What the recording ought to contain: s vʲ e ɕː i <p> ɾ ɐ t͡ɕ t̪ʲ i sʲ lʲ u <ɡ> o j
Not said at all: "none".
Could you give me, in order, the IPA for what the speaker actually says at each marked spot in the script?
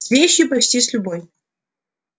p, b

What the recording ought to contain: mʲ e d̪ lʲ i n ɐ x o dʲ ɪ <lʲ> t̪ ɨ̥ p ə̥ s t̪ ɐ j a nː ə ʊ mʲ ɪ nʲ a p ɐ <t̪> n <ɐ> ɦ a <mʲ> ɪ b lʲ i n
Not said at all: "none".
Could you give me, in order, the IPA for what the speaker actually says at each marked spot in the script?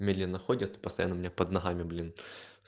none, d̪, ɐ, mʲ

